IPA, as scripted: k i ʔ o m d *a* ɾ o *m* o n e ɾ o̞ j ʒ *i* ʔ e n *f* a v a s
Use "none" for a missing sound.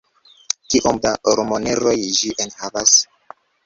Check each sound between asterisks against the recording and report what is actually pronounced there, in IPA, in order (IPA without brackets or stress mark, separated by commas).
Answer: a, m, i, h